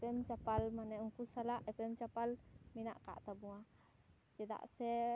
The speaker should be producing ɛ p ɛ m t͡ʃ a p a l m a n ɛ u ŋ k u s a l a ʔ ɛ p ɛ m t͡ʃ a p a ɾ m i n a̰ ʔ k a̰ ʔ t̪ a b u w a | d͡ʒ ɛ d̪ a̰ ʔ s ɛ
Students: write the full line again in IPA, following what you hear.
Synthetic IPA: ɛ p ɛ m t͡ʃ a p a l m a n ɛ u ŋ k u s a l a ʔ ɛ p ɛ m t͡ʃ a p a l m i n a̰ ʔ k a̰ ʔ t̪ a b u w a | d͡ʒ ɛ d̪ a̰ ʔ s ɛ